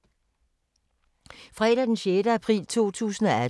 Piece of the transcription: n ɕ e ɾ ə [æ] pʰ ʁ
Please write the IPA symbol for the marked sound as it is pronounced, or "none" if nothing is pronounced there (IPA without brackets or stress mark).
æ